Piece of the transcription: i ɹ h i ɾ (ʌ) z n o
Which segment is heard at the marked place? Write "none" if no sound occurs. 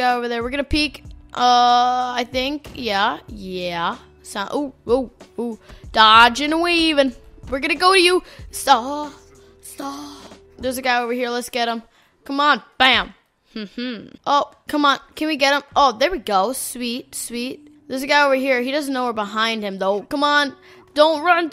ʌ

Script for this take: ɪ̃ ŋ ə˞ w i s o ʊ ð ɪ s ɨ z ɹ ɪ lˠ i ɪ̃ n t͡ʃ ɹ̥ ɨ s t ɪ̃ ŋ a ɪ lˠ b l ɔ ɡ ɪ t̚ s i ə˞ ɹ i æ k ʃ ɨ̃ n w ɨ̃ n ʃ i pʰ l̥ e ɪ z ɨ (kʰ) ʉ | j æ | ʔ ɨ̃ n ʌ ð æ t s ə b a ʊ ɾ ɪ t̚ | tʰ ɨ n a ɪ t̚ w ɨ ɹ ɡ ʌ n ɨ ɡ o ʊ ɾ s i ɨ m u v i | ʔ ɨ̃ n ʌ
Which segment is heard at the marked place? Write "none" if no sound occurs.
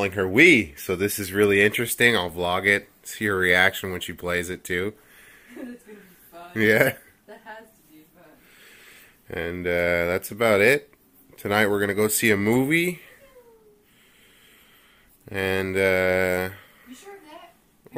tʰ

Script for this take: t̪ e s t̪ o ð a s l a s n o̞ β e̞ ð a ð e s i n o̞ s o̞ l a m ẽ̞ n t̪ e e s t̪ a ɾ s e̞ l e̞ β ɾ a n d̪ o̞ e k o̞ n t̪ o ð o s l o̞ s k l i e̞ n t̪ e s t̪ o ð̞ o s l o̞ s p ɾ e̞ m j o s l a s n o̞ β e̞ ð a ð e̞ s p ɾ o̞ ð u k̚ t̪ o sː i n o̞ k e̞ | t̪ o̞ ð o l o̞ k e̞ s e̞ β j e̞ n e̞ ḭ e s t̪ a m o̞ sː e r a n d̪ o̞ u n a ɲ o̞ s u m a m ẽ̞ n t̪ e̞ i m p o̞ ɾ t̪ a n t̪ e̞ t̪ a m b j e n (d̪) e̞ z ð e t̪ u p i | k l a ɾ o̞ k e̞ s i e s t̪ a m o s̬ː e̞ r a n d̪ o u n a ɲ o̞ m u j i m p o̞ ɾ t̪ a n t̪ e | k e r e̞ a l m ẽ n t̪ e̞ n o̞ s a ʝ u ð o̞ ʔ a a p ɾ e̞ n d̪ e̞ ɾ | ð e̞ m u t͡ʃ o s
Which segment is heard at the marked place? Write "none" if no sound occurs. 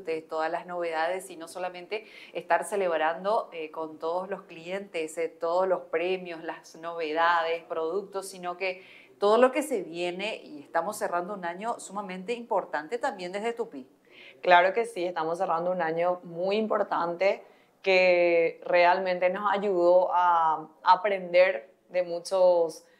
d̪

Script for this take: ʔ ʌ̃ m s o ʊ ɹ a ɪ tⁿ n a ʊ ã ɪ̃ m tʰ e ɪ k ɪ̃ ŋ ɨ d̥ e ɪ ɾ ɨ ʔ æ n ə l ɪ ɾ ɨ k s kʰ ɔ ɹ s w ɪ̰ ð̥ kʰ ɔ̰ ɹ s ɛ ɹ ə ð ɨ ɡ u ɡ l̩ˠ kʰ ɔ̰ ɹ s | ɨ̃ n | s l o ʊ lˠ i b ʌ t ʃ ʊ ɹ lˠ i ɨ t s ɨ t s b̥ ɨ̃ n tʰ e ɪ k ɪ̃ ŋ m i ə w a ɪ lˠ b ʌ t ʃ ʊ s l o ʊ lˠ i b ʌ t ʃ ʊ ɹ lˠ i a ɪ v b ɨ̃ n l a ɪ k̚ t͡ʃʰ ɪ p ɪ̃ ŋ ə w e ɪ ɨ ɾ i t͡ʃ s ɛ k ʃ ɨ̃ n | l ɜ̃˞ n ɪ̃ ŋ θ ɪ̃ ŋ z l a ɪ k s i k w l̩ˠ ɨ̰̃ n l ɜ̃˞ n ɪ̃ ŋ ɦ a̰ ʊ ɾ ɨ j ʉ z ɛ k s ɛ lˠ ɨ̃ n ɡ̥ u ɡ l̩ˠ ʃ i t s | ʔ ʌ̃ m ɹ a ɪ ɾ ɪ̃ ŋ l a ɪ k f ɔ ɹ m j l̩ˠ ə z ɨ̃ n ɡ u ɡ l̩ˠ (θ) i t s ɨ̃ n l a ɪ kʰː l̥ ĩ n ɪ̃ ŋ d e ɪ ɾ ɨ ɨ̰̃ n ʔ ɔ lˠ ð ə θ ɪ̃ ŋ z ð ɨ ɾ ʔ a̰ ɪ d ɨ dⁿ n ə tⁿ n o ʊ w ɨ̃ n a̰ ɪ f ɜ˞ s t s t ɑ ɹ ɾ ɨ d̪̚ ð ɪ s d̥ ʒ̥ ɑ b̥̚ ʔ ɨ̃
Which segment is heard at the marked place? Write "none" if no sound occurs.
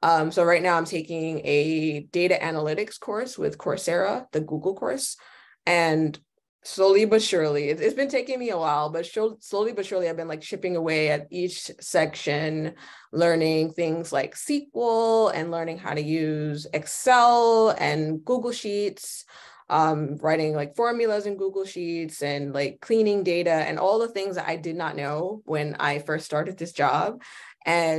ʃ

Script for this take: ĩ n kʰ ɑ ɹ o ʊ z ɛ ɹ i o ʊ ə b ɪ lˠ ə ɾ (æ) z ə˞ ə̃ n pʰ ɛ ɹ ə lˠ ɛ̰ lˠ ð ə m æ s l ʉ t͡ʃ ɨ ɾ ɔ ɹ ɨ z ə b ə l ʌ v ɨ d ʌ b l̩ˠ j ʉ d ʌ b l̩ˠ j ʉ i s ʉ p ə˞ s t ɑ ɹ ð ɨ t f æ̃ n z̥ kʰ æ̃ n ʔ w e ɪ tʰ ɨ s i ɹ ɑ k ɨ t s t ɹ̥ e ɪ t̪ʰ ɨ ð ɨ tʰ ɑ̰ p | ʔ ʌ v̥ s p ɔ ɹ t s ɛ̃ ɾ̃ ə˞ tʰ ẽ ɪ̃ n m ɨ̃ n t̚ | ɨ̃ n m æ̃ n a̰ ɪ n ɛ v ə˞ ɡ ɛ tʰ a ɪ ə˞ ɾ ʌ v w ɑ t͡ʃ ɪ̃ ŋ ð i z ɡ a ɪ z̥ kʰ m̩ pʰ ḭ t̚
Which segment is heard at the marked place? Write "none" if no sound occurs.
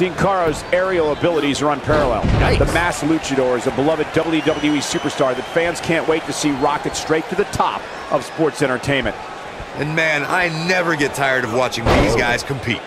i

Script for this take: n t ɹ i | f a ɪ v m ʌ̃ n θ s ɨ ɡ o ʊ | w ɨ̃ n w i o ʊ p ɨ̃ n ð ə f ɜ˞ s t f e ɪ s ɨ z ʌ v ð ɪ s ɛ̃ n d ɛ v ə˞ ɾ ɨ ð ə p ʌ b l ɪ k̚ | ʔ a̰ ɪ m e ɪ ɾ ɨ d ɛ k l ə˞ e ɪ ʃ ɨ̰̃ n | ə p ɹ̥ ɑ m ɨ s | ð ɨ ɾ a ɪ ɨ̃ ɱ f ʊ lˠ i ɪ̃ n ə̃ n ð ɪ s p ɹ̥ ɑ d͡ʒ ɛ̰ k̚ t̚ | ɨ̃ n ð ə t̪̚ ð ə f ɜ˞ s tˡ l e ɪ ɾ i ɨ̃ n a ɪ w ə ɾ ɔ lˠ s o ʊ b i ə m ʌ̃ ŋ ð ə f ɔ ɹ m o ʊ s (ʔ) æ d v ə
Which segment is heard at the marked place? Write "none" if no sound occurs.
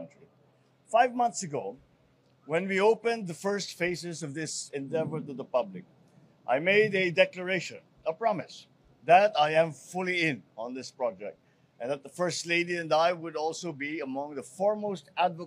t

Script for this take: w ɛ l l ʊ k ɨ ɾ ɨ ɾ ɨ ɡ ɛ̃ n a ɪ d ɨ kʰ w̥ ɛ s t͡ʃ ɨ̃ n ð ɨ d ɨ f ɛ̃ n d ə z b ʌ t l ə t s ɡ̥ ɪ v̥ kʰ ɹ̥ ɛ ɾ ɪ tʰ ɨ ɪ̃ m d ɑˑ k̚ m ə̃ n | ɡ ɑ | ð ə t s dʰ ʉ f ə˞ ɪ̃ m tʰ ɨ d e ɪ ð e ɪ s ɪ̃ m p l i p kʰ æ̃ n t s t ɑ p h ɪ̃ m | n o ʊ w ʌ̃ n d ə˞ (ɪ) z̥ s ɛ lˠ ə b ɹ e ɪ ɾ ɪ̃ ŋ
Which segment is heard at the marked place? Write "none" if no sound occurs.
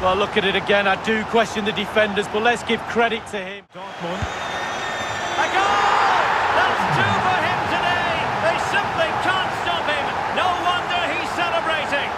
i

